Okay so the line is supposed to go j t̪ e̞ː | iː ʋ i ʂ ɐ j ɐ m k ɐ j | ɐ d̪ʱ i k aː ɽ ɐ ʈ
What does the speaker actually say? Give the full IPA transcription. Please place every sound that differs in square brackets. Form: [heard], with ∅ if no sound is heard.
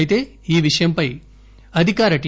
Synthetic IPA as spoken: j t̪ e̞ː | iː ʋ i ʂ ɐ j ɐ m [p] ɐ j | ɐ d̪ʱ i k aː [ɾ] ɐ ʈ